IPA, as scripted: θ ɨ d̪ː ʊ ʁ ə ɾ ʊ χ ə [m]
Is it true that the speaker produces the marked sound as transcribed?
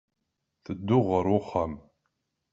yes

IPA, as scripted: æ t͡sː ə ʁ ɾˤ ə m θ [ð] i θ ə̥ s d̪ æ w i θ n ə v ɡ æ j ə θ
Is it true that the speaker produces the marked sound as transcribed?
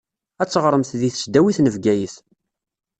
yes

